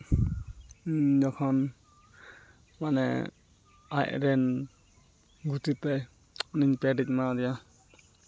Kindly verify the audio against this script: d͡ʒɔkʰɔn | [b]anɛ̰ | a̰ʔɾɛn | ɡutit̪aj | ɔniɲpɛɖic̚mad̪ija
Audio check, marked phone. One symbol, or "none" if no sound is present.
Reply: m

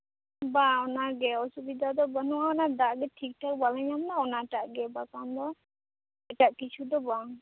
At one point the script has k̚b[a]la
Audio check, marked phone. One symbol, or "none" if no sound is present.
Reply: a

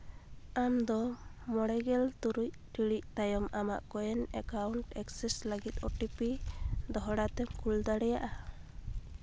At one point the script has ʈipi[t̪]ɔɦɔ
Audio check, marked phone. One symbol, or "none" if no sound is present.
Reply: d̪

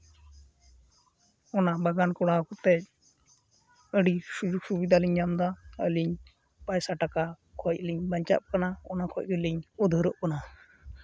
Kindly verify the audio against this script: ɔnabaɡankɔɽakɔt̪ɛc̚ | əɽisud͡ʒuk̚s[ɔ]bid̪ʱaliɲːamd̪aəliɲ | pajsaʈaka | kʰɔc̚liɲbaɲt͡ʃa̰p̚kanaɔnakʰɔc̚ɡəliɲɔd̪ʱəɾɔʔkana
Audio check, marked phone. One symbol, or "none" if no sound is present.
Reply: u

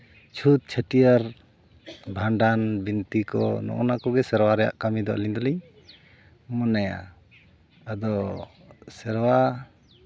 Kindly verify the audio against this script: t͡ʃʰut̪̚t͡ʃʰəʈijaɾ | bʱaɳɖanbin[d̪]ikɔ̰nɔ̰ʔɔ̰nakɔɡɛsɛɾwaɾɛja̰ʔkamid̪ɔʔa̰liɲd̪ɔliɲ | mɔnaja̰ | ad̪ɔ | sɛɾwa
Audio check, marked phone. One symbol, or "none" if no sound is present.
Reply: t̪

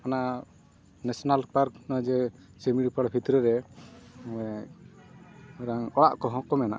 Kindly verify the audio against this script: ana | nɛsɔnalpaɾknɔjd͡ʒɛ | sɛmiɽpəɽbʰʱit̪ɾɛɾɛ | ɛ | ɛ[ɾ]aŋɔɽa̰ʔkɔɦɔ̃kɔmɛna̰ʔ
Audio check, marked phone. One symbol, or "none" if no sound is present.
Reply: ɾ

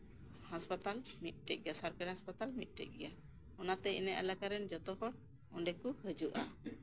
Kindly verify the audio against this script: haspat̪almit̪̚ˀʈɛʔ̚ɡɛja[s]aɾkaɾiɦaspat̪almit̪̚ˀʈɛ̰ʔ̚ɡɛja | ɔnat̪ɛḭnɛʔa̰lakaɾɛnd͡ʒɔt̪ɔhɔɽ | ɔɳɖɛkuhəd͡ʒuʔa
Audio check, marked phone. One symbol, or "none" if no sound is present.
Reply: s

